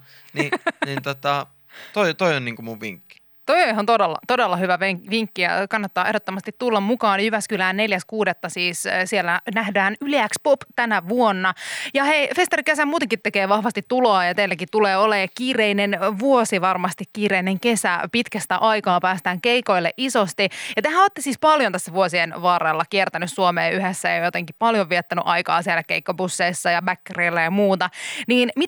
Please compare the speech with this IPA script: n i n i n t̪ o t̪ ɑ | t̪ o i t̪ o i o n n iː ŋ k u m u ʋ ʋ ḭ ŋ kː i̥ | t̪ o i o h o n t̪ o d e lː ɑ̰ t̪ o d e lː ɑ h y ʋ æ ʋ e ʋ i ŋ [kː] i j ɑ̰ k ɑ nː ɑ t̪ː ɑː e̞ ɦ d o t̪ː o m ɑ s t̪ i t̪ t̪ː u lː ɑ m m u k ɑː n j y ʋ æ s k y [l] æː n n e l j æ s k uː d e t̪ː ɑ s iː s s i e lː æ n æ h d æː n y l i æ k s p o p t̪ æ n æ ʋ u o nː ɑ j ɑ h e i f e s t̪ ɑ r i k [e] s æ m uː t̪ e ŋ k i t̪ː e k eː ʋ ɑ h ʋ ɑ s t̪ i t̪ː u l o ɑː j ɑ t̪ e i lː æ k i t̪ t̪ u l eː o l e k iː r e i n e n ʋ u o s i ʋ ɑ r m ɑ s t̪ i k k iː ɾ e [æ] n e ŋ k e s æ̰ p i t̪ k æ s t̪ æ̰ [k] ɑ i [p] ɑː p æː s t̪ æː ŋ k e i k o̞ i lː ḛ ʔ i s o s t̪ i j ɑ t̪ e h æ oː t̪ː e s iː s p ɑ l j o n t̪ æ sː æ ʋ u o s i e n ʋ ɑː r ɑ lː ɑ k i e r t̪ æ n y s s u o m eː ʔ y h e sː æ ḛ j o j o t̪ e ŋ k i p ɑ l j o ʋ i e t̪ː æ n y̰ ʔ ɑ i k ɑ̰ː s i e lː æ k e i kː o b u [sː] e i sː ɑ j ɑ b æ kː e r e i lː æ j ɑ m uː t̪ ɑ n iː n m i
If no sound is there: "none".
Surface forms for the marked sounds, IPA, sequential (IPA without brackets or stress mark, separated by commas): kː, l, e, i, ʔ, k, sː